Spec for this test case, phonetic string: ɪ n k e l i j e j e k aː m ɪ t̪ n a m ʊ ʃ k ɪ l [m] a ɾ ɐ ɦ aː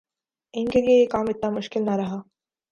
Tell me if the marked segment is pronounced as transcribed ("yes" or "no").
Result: no